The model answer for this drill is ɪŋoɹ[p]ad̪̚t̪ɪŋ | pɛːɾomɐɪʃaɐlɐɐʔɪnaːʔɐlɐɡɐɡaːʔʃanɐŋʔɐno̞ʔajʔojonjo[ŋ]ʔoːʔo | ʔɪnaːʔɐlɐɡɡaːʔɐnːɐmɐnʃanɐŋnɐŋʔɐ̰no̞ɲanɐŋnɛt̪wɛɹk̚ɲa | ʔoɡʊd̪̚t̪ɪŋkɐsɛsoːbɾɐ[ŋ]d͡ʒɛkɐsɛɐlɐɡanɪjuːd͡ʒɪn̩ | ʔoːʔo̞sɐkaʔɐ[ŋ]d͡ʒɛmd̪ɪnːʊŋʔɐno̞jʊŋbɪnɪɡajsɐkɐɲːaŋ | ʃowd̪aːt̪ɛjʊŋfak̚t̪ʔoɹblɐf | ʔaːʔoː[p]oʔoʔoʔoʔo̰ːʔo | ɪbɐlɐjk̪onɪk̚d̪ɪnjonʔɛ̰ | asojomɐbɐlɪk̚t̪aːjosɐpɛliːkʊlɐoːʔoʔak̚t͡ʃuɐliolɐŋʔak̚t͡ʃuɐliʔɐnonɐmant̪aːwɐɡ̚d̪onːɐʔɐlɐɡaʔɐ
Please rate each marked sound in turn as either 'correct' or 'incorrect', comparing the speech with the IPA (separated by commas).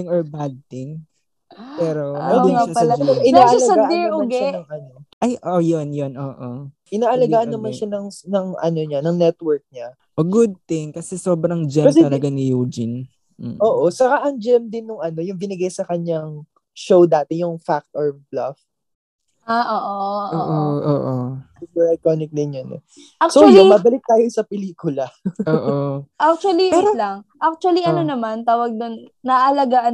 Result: incorrect, incorrect, correct, correct, incorrect